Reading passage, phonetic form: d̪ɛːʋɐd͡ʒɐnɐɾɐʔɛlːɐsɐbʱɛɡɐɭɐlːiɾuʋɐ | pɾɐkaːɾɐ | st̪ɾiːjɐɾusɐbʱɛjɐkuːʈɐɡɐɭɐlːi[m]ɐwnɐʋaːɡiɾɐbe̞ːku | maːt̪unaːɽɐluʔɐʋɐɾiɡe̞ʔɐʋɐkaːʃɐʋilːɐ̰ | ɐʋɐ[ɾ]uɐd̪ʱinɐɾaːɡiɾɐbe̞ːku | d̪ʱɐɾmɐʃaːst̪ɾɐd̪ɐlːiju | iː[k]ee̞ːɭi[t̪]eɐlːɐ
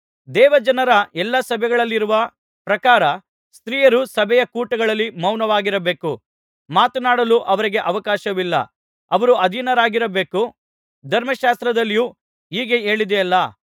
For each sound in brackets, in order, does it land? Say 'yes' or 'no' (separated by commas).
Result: yes, yes, no, no